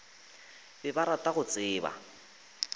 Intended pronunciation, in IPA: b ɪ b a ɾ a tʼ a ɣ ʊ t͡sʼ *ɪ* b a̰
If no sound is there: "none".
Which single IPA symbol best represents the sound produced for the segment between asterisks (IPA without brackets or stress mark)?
ɪː